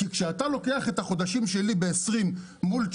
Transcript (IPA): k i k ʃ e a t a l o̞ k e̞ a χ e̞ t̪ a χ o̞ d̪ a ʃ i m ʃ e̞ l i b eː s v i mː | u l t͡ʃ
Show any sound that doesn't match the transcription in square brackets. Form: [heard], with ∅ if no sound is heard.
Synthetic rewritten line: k i k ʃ e a t a l o̞ k e̞ a χ e̞ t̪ a χ o̞ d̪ a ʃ i m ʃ e̞ l i b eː s [ʁ] i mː | u l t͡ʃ